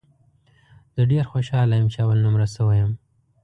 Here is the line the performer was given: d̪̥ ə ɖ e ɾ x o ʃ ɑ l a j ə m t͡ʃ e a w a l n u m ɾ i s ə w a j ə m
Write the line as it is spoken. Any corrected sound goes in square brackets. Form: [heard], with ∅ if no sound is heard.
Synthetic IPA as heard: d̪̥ ə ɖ e ɾ x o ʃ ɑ l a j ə m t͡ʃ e a w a l n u m ɾ [a] s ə w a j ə m